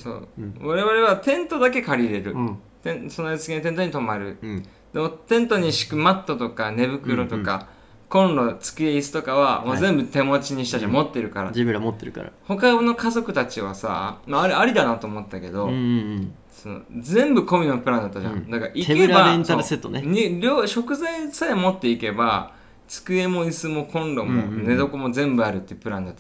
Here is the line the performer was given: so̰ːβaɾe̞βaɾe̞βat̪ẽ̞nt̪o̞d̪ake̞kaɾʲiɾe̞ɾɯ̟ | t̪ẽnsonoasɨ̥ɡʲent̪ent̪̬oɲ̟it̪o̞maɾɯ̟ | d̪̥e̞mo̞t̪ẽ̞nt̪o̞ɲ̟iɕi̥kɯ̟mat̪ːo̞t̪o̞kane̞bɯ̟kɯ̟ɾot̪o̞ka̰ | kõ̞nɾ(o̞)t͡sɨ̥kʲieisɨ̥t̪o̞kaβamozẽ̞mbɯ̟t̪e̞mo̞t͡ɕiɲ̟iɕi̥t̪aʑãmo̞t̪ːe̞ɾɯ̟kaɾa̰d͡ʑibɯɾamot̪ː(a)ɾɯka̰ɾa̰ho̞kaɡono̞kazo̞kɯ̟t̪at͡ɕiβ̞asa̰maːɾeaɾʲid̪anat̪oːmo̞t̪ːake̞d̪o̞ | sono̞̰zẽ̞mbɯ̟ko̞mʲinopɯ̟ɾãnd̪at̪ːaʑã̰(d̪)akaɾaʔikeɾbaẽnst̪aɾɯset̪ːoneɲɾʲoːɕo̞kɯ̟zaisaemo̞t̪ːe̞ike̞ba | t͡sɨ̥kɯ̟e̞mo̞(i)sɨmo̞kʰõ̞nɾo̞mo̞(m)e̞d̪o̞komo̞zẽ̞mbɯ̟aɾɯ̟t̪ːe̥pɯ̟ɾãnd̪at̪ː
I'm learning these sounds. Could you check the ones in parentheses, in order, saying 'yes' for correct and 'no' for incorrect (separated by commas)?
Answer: yes, no, yes, yes, no